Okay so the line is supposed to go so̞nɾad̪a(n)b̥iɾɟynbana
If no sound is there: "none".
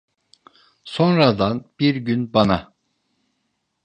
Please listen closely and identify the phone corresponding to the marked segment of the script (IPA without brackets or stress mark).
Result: n